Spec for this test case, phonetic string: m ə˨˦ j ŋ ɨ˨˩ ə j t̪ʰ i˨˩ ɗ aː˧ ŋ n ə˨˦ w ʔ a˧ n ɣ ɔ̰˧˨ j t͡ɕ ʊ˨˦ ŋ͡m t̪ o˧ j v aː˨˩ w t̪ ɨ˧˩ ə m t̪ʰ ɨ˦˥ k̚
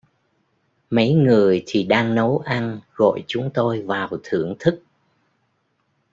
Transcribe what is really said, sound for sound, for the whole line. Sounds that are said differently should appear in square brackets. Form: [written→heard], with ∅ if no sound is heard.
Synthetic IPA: m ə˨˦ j ŋ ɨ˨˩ ə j t̪ʰ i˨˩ ɗ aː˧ ŋ n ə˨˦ w ʔ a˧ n ɣ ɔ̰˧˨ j t͡ɕ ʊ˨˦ ŋ͡m t̪ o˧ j v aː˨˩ w [t̪→t̪ʰ] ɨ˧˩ ə [m→ŋ] t̪ʰ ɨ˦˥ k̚

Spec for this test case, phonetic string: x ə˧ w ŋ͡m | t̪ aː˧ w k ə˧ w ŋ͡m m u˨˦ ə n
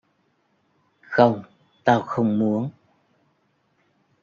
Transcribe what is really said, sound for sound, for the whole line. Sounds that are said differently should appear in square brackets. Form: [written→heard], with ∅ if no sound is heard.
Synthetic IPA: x ə˧ w ŋ͡m | t̪ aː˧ w [k→x] ə˧ w ŋ͡m m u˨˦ ə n

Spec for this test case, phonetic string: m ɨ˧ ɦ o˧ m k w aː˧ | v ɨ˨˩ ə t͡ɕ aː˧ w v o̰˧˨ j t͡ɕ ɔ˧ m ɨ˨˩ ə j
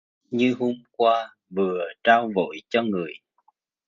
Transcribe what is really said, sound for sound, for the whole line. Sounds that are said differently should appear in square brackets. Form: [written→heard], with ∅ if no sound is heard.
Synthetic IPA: [m→ɲ] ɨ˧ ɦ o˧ m k w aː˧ | v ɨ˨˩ ə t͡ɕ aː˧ w v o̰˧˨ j t͡ɕ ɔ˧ [m→ŋ] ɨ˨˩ ə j

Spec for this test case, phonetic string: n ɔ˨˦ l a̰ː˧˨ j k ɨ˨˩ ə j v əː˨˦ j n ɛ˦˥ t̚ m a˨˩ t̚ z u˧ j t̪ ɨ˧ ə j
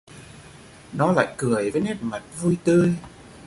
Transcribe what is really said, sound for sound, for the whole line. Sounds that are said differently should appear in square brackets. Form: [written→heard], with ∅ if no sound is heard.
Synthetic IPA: n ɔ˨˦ l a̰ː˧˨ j k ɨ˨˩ ə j v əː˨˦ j n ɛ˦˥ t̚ m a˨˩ t̚ [z→v] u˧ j t̪ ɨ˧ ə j

